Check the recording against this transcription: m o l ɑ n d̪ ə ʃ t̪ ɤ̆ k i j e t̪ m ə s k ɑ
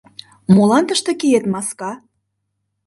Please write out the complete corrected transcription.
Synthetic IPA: m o l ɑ n t̪ ə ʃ t̪ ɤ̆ k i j e t̪ m ɑ s k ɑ